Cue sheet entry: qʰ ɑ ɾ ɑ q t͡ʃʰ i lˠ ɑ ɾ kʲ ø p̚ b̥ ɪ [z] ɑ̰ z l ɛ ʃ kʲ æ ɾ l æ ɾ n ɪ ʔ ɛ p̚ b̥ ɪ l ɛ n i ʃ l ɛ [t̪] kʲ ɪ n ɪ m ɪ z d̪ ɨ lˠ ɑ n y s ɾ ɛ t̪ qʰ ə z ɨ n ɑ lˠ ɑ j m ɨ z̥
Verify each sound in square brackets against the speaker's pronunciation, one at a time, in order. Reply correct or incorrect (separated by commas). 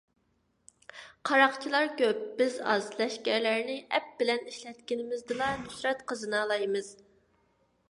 correct, correct